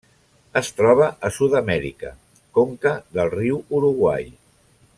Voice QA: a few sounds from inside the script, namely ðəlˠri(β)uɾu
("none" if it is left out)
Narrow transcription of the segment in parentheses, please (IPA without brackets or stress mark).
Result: w